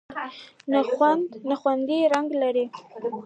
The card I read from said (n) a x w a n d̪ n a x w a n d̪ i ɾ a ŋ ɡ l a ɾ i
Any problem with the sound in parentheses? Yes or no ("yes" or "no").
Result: no